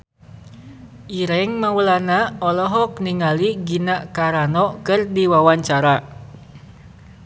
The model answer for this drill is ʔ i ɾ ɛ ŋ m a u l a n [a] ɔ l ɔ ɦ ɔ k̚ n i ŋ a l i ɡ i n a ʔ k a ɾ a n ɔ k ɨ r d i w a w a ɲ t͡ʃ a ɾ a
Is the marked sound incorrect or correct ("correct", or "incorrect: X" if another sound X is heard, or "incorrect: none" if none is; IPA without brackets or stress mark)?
correct